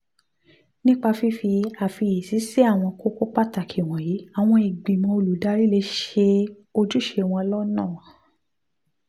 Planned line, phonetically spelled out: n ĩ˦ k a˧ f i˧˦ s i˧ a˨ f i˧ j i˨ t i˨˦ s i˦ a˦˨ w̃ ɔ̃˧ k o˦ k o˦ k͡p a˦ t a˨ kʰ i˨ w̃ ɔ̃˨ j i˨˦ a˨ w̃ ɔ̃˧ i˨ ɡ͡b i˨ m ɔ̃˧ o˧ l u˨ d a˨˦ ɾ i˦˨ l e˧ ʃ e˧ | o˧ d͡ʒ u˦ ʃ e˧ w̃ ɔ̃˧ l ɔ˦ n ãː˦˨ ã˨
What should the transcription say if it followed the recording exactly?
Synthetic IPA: n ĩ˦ k͡p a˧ f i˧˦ f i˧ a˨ f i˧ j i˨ s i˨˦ s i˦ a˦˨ w̃ ɔ̃˧ k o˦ k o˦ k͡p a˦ t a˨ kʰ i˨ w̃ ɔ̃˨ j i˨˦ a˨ w̃ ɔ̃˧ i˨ ɡ͡b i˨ m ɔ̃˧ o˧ l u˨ d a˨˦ ɾ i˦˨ l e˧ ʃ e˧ | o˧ d͡ʒ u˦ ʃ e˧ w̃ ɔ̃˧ l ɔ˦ n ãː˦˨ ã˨